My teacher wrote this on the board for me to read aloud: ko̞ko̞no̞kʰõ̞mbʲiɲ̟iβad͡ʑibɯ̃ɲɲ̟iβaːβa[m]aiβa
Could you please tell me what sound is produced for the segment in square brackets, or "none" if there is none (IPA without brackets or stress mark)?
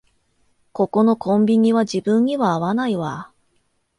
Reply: n